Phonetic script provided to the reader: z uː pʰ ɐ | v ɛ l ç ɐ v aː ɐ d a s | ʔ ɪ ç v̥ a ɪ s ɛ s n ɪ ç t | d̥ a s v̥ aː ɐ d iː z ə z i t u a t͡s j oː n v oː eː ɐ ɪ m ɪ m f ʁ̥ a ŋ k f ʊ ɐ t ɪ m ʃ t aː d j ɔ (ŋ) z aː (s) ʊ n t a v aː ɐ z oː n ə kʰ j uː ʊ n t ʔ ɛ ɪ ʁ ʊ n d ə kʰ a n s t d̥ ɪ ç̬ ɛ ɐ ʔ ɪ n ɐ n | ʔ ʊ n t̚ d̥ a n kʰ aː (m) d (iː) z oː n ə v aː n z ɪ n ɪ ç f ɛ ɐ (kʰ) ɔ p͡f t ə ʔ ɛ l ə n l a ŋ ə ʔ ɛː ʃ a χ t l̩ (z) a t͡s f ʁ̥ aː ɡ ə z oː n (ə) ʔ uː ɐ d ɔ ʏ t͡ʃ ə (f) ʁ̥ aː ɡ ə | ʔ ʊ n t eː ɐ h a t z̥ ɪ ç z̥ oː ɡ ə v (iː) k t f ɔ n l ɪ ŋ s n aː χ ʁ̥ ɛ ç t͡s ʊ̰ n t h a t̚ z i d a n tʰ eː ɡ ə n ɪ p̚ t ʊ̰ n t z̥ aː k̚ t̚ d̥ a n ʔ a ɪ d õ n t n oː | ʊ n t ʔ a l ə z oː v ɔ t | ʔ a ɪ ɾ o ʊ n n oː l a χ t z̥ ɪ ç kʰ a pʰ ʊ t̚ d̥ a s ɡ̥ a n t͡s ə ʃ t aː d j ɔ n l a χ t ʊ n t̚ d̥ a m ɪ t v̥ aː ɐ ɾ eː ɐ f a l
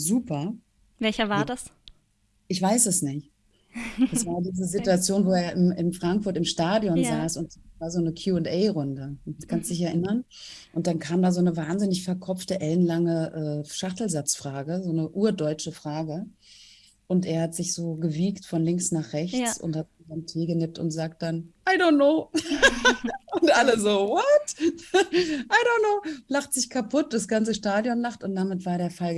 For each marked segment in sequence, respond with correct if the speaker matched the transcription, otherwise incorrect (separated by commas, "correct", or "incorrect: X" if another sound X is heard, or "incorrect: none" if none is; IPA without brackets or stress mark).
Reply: incorrect: n, correct, correct, incorrect: aː, correct, correct, correct, correct, correct